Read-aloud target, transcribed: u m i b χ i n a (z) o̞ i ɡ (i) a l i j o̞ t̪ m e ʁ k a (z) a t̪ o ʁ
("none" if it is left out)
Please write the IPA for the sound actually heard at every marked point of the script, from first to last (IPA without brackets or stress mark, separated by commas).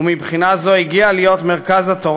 z, i, z